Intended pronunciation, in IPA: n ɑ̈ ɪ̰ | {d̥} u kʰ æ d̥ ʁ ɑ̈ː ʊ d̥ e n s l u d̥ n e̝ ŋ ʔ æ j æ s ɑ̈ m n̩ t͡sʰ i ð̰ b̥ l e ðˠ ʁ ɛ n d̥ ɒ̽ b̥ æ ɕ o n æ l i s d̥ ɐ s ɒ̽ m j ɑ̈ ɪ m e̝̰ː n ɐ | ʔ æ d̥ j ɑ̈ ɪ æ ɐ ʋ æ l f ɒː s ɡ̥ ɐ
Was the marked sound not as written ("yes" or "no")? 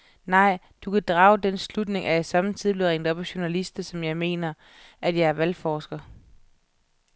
no